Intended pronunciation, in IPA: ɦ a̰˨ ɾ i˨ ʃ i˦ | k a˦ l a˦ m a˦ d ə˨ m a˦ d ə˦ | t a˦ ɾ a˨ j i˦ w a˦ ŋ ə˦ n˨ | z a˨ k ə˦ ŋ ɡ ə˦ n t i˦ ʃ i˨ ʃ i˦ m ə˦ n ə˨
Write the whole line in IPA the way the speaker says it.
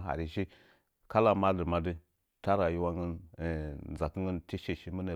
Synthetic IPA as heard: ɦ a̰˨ ɾ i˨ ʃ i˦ | k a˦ l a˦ m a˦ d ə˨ m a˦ d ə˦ | t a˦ ɾ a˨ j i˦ w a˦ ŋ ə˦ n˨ | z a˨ k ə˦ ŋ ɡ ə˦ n t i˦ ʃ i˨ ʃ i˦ m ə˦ n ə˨